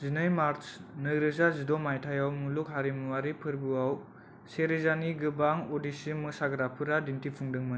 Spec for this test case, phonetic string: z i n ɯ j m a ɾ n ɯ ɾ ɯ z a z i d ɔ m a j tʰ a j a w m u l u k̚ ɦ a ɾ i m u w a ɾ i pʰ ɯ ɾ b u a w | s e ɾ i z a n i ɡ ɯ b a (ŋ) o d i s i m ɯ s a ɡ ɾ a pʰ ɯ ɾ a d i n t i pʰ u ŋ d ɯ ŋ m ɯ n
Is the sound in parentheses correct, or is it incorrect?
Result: correct